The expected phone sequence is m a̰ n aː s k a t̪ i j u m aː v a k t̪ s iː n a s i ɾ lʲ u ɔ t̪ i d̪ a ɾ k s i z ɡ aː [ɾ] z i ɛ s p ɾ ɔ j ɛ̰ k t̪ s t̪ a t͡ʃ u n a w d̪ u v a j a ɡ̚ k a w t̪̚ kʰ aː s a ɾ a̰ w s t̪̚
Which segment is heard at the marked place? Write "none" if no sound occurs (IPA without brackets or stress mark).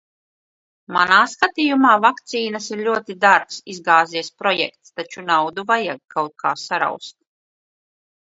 none